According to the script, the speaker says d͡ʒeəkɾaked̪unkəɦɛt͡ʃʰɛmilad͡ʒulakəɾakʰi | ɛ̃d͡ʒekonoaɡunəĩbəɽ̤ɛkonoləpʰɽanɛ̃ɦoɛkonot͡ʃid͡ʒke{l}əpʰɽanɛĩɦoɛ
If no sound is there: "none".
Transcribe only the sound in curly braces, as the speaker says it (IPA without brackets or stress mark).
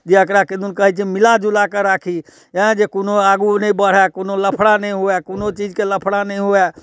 l